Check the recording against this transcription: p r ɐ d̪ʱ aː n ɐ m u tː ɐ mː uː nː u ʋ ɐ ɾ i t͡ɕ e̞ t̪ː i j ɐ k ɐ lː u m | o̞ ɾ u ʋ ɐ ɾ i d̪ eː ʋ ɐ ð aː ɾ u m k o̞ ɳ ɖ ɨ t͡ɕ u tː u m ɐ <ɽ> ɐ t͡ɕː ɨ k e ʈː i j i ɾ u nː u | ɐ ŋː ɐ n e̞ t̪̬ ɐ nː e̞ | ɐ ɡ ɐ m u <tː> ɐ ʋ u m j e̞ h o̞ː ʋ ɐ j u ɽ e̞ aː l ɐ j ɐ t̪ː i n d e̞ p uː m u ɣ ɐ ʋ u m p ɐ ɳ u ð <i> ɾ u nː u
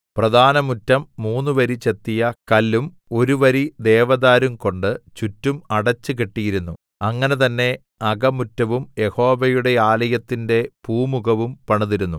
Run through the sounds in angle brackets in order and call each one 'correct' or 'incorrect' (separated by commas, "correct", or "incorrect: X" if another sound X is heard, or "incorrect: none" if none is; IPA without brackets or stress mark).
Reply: correct, correct, correct